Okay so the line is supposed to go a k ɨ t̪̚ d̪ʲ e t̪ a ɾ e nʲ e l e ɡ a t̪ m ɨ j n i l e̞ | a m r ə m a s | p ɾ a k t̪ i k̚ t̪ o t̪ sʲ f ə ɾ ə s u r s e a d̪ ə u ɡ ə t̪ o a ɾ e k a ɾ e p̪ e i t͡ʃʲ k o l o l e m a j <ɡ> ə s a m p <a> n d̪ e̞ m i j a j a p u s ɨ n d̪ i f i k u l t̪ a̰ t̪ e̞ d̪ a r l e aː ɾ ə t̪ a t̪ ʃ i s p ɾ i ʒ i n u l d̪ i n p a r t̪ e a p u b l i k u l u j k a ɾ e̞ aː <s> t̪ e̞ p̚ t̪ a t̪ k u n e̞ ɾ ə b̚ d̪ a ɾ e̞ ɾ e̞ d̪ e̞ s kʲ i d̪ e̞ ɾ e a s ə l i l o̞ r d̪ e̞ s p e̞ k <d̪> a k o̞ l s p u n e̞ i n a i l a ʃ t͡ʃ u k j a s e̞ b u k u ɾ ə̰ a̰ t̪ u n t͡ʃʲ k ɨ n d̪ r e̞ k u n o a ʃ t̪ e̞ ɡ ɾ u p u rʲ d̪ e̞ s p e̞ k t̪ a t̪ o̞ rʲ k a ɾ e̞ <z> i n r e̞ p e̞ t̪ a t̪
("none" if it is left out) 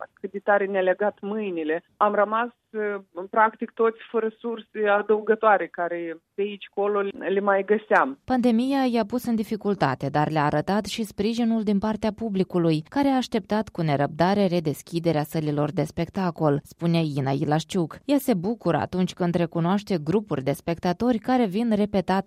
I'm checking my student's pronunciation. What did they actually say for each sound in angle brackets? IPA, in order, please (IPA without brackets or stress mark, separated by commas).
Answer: ɡ, a, ʃ, t̪, v